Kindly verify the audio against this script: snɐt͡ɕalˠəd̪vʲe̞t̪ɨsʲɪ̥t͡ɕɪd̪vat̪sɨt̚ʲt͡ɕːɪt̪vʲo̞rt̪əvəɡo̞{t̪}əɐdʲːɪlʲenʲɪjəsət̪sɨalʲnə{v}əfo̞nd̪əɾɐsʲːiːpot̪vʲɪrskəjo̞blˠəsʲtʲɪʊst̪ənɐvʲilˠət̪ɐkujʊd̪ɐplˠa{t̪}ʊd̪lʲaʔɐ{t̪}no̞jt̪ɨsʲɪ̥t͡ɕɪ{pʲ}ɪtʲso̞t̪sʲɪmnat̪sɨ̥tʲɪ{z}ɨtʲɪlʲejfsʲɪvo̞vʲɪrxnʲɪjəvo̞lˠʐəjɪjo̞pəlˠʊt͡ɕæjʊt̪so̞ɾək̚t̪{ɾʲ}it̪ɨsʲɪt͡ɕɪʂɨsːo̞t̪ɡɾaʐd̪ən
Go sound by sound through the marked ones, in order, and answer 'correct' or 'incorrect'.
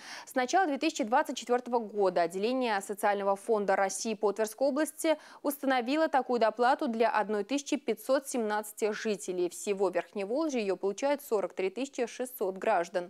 incorrect: d̪, correct, correct, incorrect: d̪, correct, incorrect: ʐ, correct

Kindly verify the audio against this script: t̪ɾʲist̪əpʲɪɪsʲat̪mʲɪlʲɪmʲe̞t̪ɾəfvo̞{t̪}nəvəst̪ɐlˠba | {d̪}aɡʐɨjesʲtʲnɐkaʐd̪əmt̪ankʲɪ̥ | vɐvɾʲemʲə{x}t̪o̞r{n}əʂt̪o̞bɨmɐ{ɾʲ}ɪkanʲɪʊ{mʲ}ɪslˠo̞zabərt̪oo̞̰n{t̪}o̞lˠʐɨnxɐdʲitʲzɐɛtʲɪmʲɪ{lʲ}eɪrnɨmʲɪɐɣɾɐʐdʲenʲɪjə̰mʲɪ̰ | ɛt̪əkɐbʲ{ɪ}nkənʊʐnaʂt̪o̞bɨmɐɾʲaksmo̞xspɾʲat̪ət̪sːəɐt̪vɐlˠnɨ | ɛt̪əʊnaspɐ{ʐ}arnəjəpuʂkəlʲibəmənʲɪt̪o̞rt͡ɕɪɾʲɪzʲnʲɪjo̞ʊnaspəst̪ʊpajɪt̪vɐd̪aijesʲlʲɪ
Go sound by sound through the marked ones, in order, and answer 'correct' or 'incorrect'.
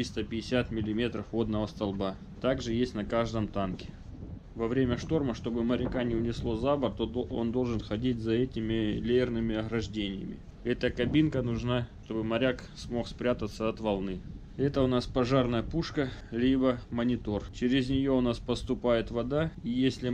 incorrect: d̪, incorrect: t̪, incorrect: ʂ, incorrect: m, correct, incorrect: nʲ, incorrect: d̪, correct, incorrect: i, correct

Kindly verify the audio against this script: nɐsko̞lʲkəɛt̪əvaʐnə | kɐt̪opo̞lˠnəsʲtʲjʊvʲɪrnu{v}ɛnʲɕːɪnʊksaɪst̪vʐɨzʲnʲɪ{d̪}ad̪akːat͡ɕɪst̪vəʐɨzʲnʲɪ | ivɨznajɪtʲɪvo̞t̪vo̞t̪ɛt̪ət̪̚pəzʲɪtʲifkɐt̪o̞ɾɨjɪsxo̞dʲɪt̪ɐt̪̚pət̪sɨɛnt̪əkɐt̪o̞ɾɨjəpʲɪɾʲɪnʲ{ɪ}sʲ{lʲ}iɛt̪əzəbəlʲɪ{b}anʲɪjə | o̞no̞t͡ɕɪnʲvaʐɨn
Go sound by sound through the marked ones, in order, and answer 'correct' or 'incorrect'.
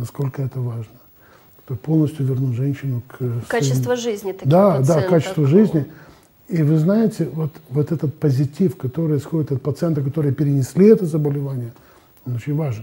incorrect: ʐ, correct, correct, correct, incorrect: v

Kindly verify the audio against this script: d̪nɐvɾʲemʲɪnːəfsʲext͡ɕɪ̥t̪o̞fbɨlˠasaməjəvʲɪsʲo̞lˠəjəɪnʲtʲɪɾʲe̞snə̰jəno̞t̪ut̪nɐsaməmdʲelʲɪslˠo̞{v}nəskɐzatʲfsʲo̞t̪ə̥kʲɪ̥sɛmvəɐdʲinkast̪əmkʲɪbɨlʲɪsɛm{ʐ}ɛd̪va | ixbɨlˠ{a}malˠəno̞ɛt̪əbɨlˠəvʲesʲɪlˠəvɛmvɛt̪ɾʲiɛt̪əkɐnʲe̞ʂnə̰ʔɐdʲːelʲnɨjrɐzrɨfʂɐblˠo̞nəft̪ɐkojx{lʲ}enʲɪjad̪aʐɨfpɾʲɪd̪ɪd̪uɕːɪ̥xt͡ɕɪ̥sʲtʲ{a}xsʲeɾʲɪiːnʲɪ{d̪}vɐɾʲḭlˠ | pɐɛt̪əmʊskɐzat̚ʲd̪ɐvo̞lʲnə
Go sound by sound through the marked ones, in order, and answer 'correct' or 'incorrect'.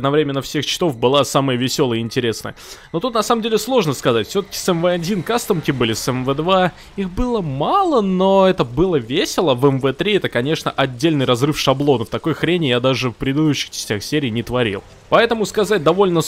incorrect: ʐ, incorrect: v, incorrect: ə, incorrect: ɾʲ, correct, incorrect: t̪

